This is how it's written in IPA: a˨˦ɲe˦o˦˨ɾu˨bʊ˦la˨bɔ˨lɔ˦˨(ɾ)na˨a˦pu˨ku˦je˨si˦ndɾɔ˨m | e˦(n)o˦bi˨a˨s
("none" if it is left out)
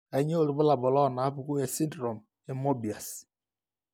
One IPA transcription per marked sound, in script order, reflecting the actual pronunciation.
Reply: none, m

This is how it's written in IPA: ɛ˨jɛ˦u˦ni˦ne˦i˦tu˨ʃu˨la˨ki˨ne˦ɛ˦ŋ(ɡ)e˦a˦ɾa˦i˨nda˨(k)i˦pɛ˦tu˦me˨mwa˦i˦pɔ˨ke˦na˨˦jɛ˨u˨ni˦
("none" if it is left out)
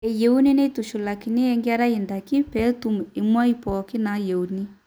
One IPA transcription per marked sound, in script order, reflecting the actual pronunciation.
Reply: ɡ, k

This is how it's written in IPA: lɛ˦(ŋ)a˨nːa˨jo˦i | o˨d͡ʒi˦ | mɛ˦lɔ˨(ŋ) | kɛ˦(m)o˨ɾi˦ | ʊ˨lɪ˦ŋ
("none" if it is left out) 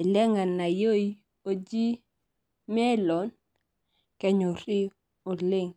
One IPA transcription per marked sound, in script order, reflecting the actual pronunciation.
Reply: ŋ, n, ɲ

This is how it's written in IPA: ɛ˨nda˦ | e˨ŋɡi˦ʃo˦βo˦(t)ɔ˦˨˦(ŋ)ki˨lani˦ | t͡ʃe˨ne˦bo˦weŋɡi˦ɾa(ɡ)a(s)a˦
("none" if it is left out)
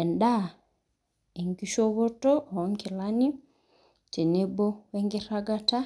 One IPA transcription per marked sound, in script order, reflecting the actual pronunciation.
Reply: t, ŋ, ɡ, t

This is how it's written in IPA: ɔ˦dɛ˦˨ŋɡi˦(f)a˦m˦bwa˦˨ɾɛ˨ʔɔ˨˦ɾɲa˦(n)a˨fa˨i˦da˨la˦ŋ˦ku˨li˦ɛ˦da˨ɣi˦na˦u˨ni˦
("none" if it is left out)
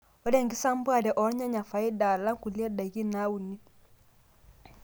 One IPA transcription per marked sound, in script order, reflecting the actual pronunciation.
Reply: s, ɲ

